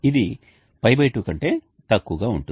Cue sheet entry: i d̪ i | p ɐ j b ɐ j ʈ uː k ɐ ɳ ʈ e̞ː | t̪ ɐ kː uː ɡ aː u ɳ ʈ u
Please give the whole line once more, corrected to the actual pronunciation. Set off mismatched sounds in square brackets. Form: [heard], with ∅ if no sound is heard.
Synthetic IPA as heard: i d̪ i | p ɐ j b ɐ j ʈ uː k ɐ ɳ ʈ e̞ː | t̪ ɐ kː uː ɡ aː u ɳ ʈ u